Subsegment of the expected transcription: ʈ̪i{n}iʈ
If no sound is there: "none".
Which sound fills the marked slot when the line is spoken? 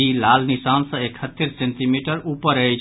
m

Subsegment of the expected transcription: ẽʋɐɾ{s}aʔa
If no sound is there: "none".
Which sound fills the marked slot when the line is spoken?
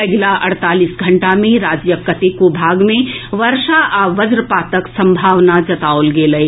ʃ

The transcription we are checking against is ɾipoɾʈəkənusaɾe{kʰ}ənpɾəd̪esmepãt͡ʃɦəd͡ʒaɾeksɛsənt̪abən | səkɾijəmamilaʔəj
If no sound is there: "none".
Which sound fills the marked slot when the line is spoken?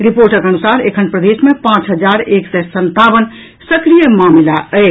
kʰ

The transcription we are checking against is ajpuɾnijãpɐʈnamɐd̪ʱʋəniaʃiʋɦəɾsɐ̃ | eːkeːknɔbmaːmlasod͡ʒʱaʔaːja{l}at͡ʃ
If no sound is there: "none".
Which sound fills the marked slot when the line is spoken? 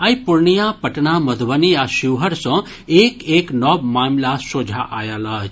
l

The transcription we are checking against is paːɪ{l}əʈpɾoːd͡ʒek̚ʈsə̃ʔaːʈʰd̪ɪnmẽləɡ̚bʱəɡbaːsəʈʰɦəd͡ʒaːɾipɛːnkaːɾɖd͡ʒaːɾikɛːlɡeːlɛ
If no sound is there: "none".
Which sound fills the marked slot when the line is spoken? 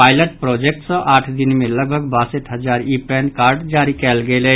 l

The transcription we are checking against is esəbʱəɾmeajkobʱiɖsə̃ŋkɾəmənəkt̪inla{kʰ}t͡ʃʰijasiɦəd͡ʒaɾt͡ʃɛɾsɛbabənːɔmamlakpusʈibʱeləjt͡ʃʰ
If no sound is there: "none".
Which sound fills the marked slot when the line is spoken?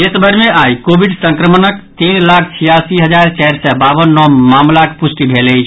kʰ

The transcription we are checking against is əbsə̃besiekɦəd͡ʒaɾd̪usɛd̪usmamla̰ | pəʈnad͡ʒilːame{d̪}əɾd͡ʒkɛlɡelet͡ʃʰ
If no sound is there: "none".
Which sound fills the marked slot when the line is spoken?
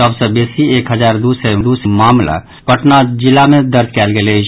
d̪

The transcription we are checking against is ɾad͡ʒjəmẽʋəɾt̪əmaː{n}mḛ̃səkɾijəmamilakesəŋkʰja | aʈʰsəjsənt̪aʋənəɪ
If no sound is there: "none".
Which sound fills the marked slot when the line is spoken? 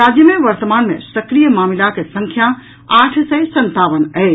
n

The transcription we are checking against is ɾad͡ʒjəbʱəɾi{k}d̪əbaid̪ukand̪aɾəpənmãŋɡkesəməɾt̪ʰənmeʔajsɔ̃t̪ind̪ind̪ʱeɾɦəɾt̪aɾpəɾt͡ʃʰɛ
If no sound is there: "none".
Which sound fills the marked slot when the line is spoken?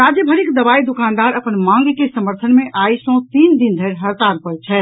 k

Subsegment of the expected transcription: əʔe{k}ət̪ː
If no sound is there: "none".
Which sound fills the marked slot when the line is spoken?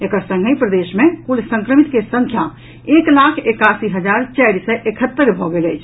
kʰ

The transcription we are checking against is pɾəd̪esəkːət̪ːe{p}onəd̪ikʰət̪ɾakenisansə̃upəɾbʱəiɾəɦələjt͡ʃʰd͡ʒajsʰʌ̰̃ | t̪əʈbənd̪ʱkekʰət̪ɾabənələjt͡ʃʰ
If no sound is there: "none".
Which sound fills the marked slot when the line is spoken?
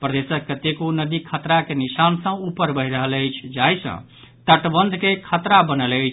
k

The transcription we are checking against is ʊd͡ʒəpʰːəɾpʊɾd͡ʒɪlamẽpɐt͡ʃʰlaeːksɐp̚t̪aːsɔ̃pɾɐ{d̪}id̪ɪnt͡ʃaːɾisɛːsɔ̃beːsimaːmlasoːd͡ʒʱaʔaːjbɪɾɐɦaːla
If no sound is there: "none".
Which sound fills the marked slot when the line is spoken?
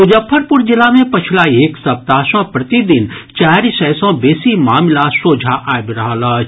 t̪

